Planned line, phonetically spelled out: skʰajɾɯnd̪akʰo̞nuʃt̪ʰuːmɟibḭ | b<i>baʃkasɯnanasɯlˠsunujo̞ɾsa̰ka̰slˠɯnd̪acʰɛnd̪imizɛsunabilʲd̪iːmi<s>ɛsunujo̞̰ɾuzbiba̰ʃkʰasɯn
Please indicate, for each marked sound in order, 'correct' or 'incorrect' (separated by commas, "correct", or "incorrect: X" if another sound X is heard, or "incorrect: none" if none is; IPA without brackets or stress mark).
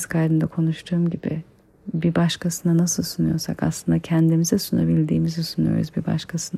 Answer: correct, incorrect: z